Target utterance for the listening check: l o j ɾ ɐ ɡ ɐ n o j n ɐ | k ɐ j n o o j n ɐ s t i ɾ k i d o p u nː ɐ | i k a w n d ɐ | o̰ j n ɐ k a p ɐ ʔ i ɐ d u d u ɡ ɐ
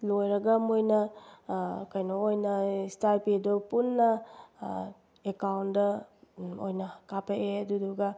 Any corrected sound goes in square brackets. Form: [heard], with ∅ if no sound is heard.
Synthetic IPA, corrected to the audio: l o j ɾ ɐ ɡ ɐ [m] o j n ɐ | k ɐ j n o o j n ɐ s t [a] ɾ [p] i d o p u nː ɐ | [e] k a w n d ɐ | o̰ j n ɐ k a p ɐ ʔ [e] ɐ d u d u ɡ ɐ

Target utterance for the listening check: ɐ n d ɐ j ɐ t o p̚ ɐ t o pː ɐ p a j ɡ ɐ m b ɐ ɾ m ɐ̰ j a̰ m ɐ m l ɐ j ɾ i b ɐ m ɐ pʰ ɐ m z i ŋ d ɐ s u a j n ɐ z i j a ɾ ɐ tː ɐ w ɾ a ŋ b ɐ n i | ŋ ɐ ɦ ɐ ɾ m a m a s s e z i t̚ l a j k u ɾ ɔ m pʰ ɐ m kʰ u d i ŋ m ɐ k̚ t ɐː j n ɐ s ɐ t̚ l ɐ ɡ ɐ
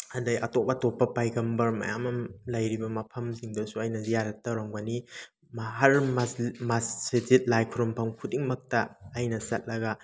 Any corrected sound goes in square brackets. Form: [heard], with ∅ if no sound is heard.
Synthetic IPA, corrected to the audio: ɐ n d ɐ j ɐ t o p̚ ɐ t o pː ɐ p a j ɡ ɐ m b ɐ ɾ m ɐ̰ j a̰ m ɐ m l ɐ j ɾ i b ɐ m ɐ pʰ ɐ m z i ŋ d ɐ s u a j n ɐ z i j a ɾ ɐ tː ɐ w ɾ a ŋ b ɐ n i | [m] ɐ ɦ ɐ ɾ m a m a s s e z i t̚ l a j [kʰ] u ɾ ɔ m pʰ ɐ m kʰ u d i ŋ m ɐ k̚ t ɐː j n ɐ s ɐ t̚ l ɐ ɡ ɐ

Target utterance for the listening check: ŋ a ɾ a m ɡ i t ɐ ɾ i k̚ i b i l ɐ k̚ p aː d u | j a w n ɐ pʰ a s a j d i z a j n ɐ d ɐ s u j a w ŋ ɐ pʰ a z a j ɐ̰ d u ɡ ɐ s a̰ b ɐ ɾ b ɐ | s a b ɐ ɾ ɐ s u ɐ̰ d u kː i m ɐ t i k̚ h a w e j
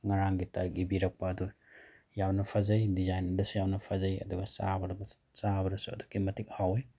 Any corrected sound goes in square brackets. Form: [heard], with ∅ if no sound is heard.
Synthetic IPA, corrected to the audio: ŋ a ɾ a [ŋ] ɡ i t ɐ ɾ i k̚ i b i [ɾ] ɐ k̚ p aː d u | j a w n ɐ pʰ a [z] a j d i z a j n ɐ d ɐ s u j a w [n] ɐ pʰ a z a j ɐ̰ d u ɡ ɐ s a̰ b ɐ ɾ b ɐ | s a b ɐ ɾ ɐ s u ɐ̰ d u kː i m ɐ t i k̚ h a w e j

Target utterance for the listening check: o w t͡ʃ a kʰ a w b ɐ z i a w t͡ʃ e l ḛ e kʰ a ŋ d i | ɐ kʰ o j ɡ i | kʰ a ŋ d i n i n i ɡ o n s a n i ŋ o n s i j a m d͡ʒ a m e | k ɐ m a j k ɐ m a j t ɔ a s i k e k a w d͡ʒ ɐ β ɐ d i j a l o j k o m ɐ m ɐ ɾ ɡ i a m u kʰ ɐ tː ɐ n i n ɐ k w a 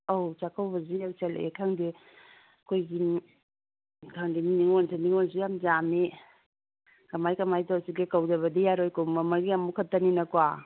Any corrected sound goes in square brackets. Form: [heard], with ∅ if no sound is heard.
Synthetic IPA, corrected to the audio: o w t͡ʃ a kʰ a w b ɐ z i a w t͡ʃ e l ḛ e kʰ a ŋ d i | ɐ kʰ o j ɡ i | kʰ a ŋ d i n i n i [ŋ] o n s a n i ŋ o n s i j a m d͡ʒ a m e | k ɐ m a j k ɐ m a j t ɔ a s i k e k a w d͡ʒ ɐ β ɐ d i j a [ɾ] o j k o m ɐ m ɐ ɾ ɡ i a m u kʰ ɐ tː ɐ n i n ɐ k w a

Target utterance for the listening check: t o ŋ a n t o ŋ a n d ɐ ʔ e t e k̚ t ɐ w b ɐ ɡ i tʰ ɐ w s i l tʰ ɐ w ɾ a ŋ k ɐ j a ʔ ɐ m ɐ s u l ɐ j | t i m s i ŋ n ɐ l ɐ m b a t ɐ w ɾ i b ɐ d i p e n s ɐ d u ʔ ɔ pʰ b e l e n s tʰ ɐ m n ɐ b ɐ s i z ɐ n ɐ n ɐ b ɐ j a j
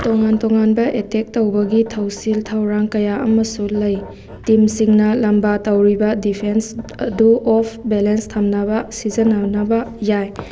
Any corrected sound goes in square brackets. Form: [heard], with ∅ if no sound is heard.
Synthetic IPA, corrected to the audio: t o ŋ a n t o ŋ a n [b] ɐ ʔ e t e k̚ t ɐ w b ɐ ɡ i tʰ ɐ w s i l tʰ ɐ w ɾ a ŋ k ɐ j a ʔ ɐ m ɐ s u l ɐ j | t i m s i ŋ n ɐ l ɐ m b a t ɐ w ɾ i b ɐ d i [pʰ] e n s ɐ d u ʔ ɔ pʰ b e l e n s tʰ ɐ m n ɐ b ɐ s i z ɐ n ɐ n ɐ b ɐ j a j

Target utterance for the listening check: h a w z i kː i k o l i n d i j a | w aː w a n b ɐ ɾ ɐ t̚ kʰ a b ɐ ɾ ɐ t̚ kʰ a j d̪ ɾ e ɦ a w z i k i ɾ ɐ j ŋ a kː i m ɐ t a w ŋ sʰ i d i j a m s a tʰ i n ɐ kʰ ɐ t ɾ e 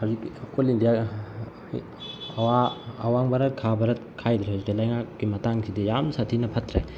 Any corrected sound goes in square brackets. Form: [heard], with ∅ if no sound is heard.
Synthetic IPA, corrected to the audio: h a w z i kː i k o l i n d i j a | w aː w a [ŋ] b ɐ ɾ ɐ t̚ kʰ a b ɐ ɾ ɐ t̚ kʰ a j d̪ ɾ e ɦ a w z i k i [l] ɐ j ŋ a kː i m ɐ t a [∅] ŋ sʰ i d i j a m s a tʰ i n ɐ [pʰ] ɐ t ɾ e

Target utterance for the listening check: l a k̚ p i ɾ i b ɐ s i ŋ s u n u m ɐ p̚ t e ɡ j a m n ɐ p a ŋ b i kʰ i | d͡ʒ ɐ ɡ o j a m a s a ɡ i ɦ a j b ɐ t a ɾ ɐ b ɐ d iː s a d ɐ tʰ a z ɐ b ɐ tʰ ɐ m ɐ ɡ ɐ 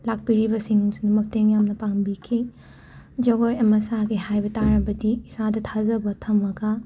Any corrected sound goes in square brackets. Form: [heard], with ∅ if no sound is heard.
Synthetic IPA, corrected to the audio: l a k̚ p i ɾ i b ɐ s i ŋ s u n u m ɐ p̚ t e [ŋ] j a m n ɐ p a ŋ b i kʰ i | d͡ʒ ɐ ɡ o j [ɐ] m [ɐ] s a ɡ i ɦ a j b ɐ t a ɾ ɐ b ɐ d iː s a d ɐ tʰ a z ɐ b ɐ tʰ ɐ m ɐ ɡ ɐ

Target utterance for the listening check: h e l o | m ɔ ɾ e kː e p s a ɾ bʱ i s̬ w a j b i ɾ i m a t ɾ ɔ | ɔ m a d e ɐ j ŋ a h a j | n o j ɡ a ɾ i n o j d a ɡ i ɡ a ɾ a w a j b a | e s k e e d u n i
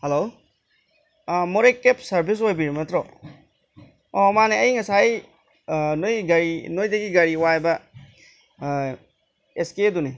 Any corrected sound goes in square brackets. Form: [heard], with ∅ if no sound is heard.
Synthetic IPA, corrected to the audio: h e l o | m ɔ ɾ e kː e p s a ɾ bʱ i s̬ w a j b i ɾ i m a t ɾ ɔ | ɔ m a [n] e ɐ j ŋ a [s] a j | n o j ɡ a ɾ i n o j d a ɡ i ɡ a ɾ [i] w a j b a | e s k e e d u n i

